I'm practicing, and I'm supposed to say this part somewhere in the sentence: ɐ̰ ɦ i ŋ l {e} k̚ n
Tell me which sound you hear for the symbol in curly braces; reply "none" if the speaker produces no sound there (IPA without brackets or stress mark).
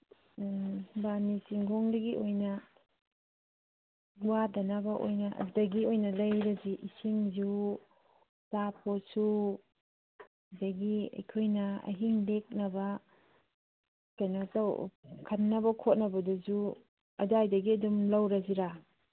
e